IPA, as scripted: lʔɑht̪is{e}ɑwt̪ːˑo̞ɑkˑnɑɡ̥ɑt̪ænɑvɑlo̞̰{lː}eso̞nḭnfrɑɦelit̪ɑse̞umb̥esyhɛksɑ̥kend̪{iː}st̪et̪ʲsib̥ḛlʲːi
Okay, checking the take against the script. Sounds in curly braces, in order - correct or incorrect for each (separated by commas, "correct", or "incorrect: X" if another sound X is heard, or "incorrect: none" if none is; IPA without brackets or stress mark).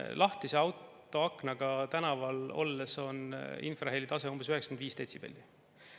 correct, correct, correct